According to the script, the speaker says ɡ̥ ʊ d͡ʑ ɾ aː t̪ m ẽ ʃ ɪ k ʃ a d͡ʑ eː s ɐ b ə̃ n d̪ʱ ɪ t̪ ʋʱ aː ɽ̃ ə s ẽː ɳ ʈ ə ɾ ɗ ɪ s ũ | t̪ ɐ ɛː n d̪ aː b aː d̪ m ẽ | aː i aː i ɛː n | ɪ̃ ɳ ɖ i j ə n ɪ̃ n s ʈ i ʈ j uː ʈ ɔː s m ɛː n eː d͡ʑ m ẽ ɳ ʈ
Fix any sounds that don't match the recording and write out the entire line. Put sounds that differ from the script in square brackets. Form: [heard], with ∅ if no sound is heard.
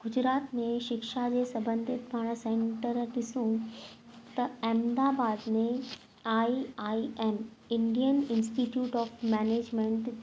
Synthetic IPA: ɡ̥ ʊ d͡ʑ ɾ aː t̪ m ẽ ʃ ɪ k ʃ a d͡ʑ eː s ɐ b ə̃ n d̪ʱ ɪ t̪ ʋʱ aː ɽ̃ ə s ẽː ɳ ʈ ə ɾ ɗ ɪ s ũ | t̪ ɐ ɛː [m] d̪ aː b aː d̪ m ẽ | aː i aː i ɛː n | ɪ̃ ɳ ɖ i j ə n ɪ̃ n s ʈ i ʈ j uː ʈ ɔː [f] m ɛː n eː d͡ʑ m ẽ ɳ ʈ

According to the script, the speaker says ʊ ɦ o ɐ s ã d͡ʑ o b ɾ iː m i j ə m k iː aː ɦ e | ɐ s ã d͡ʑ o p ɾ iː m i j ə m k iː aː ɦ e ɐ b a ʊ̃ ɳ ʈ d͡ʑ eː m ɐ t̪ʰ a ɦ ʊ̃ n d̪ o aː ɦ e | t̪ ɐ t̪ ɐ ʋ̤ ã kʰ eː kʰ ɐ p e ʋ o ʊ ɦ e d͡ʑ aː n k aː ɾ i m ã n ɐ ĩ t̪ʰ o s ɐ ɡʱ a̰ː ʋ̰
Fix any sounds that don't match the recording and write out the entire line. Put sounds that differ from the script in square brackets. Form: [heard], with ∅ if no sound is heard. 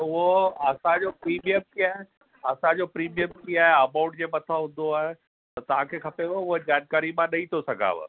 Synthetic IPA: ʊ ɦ o ɐ s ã d͡ʑ o [p] ɾ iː m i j ə m k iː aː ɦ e | ɐ s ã d͡ʑ o p ɾ iː m i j ə m k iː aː ɦ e ɐ [m] a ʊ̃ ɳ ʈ d͡ʑ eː m ɐ t̪ʰ a ɦ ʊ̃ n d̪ o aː ɦ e | t̪ ɐ t̪ ɐ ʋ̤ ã kʰ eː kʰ ɐ p e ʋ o ʊ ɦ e d͡ʑ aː n k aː ɾ i m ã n ɐ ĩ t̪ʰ o s ɐ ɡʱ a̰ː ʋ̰

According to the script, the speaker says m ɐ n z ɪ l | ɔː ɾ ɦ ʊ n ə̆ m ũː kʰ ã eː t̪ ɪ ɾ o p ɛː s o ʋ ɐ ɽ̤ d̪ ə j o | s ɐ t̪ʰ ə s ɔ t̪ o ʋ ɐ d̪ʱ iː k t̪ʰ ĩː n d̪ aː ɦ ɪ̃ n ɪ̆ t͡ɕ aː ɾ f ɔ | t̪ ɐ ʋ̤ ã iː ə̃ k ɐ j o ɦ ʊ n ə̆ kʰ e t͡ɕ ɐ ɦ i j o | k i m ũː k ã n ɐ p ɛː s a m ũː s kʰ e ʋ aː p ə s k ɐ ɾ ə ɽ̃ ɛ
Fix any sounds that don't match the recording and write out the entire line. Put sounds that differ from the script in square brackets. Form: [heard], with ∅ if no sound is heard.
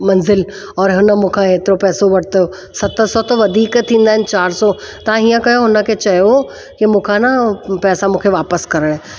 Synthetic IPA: m ɐ n z ɪ l | ɔː ɾ ɦ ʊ n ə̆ m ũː kʰ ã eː t̪ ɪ ɾ o p ɛː s o ʋ ɐ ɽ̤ [t̪] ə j o | s ɐ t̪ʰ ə s ɔ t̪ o ʋ ɐ d̪ʱ iː k t̪ʰ ĩː n d̪ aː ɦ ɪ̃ n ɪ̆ t͡ɕ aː ɾ [s] ɔ | t̪ ɐ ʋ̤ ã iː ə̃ k ɐ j o ɦ ʊ n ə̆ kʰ e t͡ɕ ɐ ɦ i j o | k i m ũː [kʰ] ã n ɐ p ɛː s a m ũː [∅] kʰ e ʋ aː p ə s k ɐ ɾ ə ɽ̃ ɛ

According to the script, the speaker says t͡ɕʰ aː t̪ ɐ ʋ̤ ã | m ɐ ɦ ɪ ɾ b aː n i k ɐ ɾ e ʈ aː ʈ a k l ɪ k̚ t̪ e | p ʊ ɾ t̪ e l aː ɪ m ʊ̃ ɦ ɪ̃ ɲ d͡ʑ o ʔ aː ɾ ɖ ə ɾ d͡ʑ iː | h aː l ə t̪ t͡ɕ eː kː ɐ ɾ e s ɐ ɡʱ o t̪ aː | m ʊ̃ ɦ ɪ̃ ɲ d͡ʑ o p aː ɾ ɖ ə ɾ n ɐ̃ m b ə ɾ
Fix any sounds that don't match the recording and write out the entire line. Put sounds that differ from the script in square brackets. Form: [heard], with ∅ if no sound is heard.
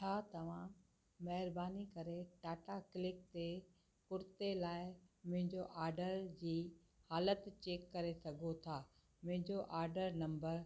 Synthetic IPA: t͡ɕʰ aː t̪ ɐ ʋ̤ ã | m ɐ ɦ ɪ ɾ b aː n i k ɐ ɾ e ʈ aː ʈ a k l ɪ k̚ t̪ e | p ʊ ɾ t̪ e l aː ɪ m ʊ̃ ɦ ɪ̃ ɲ d͡ʑ o ʔ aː ɾ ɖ ə ɾ d͡ʑ iː | h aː l ə t̪ t͡ɕ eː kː ɐ ɾ e s ɐ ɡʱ o [t̪ʰ] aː | m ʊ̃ ɦ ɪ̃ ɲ d͡ʑ o [ʔ] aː ɾ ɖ ə ɾ n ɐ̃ m b ə ɾ

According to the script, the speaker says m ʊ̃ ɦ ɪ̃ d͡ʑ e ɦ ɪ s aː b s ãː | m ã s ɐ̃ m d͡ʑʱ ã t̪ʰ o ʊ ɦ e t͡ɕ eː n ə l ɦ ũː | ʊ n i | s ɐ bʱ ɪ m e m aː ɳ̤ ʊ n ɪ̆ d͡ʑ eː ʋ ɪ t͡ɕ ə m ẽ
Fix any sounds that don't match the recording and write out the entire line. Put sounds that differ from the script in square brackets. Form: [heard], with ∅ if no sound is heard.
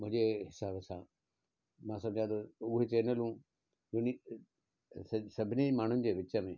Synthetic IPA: m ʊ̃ ɦ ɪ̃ d͡ʑ e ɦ ɪ s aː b s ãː | m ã s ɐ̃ m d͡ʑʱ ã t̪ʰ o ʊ ɦ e t͡ɕ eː n ə l ɦ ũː | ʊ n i | s ɐ bʱ ɪ [n] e m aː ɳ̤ ʊ n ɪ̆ d͡ʑ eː ʋ ɪ t͡ɕ ə m ẽ

